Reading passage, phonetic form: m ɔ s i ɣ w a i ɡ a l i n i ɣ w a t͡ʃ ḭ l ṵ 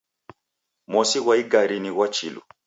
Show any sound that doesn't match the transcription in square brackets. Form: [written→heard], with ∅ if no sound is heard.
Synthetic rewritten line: m ɔ s i ɣ w a i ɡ a [l→ɾ] i n i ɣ w a t͡ʃ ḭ l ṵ